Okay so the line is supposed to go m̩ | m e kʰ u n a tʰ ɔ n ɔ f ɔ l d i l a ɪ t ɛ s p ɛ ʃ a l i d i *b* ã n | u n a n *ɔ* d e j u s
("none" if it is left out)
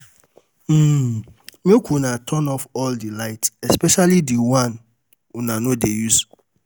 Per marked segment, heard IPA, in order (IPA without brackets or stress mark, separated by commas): w, o